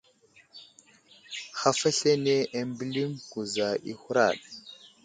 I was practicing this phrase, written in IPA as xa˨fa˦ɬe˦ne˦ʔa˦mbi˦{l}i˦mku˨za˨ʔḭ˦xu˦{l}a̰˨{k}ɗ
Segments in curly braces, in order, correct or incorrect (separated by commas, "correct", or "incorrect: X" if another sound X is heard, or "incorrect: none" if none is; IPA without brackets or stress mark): correct, incorrect: ɾ, incorrect: none